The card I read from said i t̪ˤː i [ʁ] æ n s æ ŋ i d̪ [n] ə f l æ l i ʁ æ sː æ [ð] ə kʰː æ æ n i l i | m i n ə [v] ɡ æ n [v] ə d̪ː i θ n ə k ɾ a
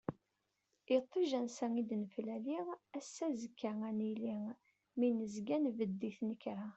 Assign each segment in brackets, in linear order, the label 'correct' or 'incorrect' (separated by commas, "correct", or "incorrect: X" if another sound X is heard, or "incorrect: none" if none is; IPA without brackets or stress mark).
incorrect: ʒ, correct, incorrect: z, incorrect: z, correct